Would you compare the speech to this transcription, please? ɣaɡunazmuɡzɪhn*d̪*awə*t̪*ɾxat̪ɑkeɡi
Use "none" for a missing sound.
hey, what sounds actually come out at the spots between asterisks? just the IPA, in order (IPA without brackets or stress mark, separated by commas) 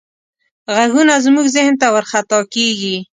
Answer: t̪, none